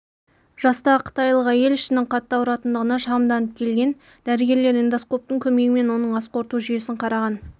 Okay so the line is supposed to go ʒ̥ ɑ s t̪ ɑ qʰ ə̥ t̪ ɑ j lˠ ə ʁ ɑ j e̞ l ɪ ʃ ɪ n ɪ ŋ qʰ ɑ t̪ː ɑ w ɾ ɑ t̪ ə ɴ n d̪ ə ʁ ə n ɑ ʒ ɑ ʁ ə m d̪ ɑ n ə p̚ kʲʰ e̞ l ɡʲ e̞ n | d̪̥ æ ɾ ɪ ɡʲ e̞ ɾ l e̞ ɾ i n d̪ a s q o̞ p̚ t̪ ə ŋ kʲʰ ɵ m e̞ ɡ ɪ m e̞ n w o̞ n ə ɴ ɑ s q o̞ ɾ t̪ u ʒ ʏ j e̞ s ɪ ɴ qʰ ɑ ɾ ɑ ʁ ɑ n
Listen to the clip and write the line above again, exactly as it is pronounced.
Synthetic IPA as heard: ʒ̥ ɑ s t̪ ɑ qʰ ə̥ t̪ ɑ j lˠ ə ʁ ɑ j e̞ l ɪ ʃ ɪ n ɪ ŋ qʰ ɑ t̪ː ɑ w ɾ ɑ t̪ ə n d̪ ə ʁ ə n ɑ ʃ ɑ ʁ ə m d̪ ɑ n ə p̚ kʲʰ e̞ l ɡʲ e̞ n | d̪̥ æ ɾ ɪ ɡʲ e̞ ɾ l e̞ ɾ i n d̪ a s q o̞ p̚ t̪ ə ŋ kʲʰ ɵ m e̞ ɡ ɪ m e̞ n w o̞ n ə ɴ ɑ s q o̞ ɾ t̪ u ʒ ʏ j e̞ s ɪ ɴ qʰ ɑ ɾ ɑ ʁ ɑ n